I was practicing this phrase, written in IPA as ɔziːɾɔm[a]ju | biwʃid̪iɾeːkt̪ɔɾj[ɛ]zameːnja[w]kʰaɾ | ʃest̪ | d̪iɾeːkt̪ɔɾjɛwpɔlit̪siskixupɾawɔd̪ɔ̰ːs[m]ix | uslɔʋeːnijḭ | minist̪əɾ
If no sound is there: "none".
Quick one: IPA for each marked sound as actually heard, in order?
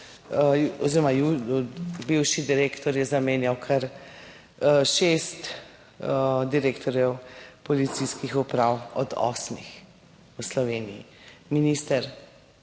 a, ɛ, w, m

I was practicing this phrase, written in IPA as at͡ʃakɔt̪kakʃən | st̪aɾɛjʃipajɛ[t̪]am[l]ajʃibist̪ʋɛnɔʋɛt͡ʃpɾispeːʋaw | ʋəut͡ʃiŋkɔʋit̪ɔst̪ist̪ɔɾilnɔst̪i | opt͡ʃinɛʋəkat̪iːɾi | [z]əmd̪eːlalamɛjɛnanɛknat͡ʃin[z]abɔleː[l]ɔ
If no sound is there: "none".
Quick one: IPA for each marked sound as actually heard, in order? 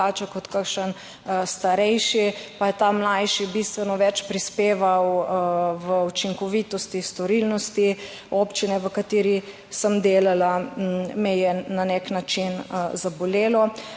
t̪, l, s, z, l

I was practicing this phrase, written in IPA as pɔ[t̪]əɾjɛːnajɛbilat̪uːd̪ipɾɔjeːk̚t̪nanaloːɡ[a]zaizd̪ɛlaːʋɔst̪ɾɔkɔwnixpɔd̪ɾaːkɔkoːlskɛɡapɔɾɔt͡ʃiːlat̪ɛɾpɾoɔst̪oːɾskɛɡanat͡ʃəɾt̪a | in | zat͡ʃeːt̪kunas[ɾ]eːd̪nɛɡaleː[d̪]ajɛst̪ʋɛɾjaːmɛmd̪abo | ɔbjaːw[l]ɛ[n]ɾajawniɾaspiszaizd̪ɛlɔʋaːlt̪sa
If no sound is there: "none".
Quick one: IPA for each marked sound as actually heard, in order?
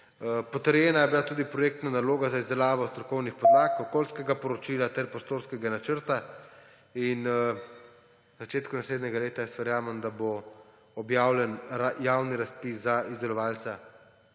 t̪, a, l, t̪, l, n

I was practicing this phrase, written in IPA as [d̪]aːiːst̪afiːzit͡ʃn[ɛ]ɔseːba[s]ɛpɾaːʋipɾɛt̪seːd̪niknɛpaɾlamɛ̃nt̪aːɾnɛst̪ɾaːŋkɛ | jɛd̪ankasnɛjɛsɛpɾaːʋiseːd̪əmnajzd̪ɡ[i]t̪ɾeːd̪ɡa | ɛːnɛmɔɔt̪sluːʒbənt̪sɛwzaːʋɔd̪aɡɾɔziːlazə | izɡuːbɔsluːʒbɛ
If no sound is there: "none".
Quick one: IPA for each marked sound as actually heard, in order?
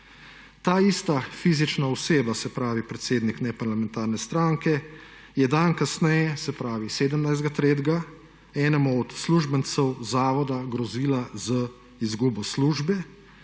t̪, a, s, a

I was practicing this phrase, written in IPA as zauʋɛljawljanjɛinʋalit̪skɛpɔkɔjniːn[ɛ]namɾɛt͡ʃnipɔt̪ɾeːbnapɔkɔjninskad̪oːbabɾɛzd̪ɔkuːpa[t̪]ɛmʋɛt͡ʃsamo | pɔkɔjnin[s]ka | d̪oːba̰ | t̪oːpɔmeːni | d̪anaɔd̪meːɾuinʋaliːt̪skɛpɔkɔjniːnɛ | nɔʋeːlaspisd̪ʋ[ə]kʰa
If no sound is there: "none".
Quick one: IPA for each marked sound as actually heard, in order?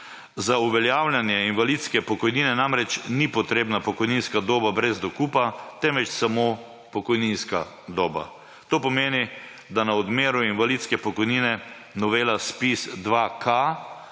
ɛ, t̪, s, a

